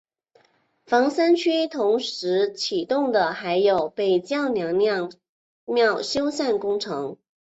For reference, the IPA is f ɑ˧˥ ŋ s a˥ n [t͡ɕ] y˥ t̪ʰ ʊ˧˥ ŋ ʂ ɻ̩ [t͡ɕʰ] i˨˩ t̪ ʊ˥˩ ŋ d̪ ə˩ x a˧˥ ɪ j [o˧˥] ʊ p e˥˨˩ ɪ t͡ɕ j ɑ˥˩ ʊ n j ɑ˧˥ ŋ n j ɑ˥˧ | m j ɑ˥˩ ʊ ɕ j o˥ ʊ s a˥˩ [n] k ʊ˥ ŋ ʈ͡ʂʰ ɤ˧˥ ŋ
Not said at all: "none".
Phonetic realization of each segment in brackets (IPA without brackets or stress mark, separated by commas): t͡ɕʰ, t͡ɕʰ, o˨˩, n